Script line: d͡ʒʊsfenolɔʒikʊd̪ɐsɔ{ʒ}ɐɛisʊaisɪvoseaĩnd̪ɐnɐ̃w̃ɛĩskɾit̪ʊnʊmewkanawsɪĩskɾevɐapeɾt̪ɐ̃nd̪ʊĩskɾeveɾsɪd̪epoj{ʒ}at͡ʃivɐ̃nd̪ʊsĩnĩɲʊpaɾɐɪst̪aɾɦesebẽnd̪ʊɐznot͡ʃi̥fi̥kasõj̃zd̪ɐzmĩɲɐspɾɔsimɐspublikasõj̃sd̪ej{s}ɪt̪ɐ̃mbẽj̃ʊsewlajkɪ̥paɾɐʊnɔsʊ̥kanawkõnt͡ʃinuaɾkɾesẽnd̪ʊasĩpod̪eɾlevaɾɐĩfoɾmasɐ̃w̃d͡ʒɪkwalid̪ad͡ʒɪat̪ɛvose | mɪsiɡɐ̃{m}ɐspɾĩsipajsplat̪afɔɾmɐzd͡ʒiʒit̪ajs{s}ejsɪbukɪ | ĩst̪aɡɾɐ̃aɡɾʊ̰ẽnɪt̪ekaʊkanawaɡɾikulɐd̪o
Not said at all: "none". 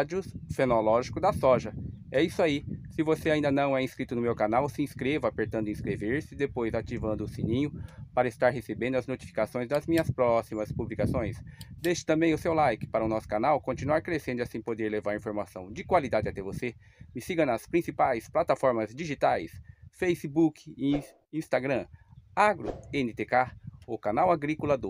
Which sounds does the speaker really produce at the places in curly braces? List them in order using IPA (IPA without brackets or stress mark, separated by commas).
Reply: ʒ, z, ʃ, n, f